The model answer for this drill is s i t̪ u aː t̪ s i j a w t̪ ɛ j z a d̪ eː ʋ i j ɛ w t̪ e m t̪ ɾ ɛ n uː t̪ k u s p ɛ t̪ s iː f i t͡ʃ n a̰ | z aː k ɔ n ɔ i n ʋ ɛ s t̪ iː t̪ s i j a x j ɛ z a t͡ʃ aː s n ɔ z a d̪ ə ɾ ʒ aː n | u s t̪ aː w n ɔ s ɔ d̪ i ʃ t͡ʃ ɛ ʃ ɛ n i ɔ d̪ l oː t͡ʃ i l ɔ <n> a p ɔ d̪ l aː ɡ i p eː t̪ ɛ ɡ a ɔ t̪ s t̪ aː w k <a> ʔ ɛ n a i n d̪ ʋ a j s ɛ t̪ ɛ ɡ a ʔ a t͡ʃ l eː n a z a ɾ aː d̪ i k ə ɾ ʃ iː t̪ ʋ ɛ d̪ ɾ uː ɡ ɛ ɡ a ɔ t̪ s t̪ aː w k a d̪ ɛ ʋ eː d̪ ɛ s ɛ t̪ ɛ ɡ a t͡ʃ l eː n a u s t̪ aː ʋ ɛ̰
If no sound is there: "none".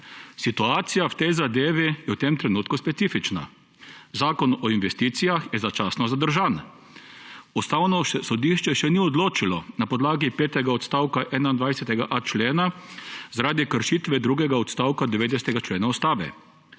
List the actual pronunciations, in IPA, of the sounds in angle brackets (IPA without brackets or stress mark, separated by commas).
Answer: n, a